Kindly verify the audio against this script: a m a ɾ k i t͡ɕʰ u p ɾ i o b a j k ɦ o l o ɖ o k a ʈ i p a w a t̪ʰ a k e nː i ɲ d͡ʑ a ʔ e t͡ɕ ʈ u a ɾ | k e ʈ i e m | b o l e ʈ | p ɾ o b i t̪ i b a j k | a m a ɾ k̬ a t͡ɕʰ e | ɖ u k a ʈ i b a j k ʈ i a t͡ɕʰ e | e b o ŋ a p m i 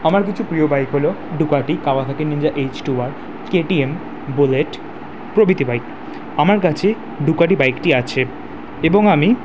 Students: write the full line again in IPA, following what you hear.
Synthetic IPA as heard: a m a ɾ k i t͡ɕʰ u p ɾ i o b a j k ɦ o l o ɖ u k a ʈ i k a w a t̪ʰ a k e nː i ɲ d͡ʑ a ʔ e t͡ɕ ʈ u a ɾ | k e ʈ i e m | b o l e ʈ | p ɾ o b i t̪ i b a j k | a m a ɾ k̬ a t͡ɕʰ e | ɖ u k a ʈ i b a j k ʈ i a t͡ɕʰ e | e b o ŋ a m i

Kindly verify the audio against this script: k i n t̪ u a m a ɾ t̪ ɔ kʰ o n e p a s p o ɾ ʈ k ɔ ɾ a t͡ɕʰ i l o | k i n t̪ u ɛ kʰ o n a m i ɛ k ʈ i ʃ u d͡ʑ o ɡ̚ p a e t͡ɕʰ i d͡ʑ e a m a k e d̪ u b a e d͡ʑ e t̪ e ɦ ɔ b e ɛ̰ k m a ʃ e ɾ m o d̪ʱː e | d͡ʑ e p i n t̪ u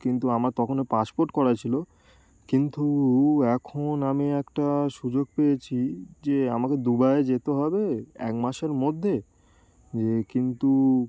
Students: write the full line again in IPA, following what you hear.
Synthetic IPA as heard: k i n t̪ u a m a ɾ t̪ ɔ kʰ o n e p a s p o ɾ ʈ k ɔ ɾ a t͡ɕʰ i l o | k i n t̪ u ɛ kʰ o n a m i ɛ k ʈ a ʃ u d͡ʑ o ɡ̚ p e e t͡ɕʰ i d͡ʑ e a m a k e d̪ u b a e d͡ʑ e t̪ e ɦ ɔ b e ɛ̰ k m a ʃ e ɾ m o d̪ʱː e | d͡ʑ e k i n t̪ u

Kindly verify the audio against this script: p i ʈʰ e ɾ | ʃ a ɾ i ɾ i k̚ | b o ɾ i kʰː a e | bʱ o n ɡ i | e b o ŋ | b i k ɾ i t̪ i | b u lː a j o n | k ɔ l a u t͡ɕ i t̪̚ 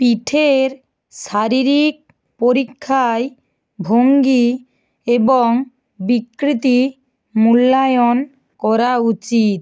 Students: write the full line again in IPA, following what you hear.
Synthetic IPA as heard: p i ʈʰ e ɾ | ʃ a ɾ i ɾ i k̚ | p o ɾ i kʰː a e | bʱ o ŋ ɡ i | e b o ŋ | b i k ɾ i t̪ i | m u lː a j o n | k ɔ ɾ a u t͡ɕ i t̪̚

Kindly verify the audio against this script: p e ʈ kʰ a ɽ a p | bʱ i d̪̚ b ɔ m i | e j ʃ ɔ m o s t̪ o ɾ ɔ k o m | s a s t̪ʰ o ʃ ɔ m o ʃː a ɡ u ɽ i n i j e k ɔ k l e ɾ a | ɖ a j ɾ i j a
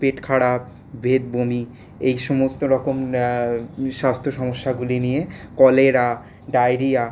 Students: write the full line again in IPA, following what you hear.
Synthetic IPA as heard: p e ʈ kʰ a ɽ a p | bʱ e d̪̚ b o m i | e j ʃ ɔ m o s t̪ o ɾ ɔ k o m | ʃ a s t̪ʰ o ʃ ɔ m o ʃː a ɡ u l i n i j e k ɔ l e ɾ a | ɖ a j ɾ i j a

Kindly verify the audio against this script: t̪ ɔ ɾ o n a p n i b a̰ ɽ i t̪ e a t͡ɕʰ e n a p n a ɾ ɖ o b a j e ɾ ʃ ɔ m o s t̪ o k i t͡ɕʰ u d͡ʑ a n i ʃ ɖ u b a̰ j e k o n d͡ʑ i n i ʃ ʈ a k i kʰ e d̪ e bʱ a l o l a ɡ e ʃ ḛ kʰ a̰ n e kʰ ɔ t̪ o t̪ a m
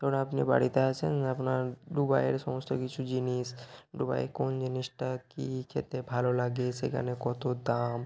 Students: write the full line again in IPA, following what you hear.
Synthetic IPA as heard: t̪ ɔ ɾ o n a p n i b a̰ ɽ i t̪ e a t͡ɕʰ e n a p n a ɾ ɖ u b a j e ɾ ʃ ɔ m o s t̪ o k i t͡ɕʰ u d͡ʑ i n i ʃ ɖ u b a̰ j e k o n d͡ʑ i n i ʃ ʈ a k i kʰ e t̪ e bʱ a l o l a ɡ e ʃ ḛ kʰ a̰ n e k ɔ t̪ o d̪ a m

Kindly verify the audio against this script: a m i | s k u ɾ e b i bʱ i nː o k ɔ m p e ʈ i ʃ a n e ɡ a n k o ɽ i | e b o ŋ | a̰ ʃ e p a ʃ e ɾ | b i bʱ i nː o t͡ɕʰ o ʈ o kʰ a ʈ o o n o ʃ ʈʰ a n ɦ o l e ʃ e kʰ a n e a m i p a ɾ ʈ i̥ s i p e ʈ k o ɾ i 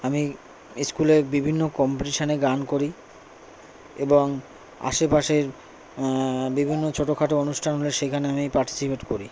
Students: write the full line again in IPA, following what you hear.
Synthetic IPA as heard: a m i | s k u l e b i bʱ i nː o k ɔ m p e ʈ i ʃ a n e ɡ a n k o ɾ i | e b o ŋ | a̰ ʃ e p a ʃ e ɾ | b i bʱ i nː o t͡ɕʰ o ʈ o kʰ a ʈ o o n u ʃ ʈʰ a n ɦ o l e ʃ e kʰ a n e a m i p a ɾ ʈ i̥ s i p e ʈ k o ɾ i

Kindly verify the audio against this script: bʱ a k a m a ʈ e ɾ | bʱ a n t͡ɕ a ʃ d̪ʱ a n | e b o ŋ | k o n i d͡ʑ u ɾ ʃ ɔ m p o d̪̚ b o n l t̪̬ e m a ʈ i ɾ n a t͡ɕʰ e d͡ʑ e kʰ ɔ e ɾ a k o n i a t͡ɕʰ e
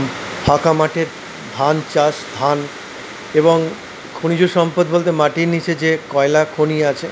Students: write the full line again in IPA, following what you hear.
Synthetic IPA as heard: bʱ a k a m a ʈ e ɾ | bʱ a n t͡ɕ a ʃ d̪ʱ a n | e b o ŋ | kʰ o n i d͡ʑ u ɾ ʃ ɔ m p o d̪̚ b o l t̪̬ e m a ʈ i ɾ n i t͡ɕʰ e d͡ʑ e k ɔ e l a kʰ o n i a t͡ɕʰ e

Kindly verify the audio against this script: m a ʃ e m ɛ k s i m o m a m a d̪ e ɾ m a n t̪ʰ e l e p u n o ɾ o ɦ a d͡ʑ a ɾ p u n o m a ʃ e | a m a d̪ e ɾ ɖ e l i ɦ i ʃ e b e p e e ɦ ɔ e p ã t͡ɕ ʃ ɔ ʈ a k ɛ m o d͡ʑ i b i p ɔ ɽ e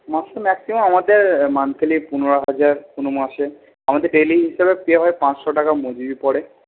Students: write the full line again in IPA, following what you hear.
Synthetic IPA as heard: m a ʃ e m ɛ k s i m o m a m a d̪ e ɾ m a n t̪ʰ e l i p u n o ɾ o ɦ a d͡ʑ a ɾ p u n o m a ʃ e | a m a d̪ e ɾ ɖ e l i ɦ i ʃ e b e p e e ɦ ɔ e p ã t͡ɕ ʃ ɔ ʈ a k a m o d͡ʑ i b i p ɔ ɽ e

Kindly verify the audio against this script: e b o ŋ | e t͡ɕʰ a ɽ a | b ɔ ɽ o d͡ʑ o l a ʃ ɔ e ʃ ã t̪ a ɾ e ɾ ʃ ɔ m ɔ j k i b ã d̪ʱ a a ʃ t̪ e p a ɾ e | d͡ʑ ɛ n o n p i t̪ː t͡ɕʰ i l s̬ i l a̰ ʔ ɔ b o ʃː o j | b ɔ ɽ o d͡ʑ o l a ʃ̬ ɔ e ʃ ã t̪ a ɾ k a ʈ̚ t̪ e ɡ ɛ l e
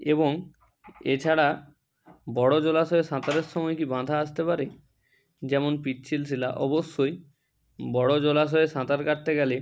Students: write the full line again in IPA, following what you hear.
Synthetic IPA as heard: e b o ŋ | e t͡ɕʰ a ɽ a | b ɔ ɽ o d͡ʑ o l a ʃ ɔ e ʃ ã t̪ a ɾ e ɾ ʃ ɔ m ɔ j k i b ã d̪ʱ a a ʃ t̪ e p a ɾ e | d͡ʑ ɛ m o n p i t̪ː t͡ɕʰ i l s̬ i l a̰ ʔ ɔ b o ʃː o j | b ɔ ɽ o d͡ʑ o l a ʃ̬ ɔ e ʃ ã t̪ a ɾ k a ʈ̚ t̪ e ɡ ɛ l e

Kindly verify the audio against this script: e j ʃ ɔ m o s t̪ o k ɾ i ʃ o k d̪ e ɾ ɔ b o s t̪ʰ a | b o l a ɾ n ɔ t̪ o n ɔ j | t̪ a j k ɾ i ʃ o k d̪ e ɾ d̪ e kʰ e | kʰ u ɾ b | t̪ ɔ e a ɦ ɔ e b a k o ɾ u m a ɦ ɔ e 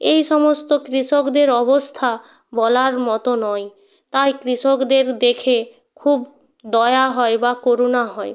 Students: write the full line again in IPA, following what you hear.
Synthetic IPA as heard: e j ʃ ɔ m o s t̪ o k ɾ i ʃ o k d̪ e ɾ ɔ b o s t̪ʰ a | b ɔ l a ɾ m ɔ t̪ o n ɔ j | t̪ a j k ɾ i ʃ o k d̪ e ɾ d̪ e kʰ e | kʰ u b | d̪ ɔ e a ɦ ɔ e b a k o ɾ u n a ɦ ɔ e

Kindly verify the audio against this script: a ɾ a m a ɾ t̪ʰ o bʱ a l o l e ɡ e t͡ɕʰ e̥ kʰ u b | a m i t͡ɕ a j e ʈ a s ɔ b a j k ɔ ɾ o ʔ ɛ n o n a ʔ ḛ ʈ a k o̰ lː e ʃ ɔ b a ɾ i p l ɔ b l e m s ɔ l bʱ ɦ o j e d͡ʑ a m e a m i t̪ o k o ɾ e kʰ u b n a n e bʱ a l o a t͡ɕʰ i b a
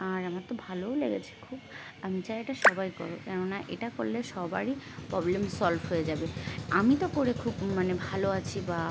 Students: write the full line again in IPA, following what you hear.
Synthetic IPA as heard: a ɾ a m a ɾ t̪ o bʱ a l o l e ɡ e t͡ɕʰ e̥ kʰ u b | a m i t͡ɕ a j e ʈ a ʃ ɔ b a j k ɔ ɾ o k ɛ n o n a ʔ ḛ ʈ a k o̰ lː e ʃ ɔ b a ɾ i p ɾ ɔ b l e m s ɔ l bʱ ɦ o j e d͡ʑ a b e a m i t̪ o k o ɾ e kʰ u b m a n e bʱ a l o a t͡ɕʰ i b a

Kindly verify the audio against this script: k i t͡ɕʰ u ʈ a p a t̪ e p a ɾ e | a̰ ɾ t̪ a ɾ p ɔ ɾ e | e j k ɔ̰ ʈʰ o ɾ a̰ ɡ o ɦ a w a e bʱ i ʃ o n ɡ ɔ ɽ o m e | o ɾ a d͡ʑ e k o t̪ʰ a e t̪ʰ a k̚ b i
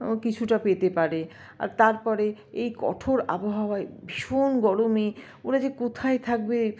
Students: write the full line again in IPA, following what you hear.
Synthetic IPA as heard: k i t͡ɕʰ u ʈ a p e t̪ e p a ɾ e | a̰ ɾ t̪ a ɾ p ɔ ɾ e | e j k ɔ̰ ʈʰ o ɾ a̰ b o ɦ a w a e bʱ i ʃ o n ɡ ɔ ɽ o m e | o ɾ a d͡ʑ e k o t̪ʰ a e t̪ʰ a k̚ b e

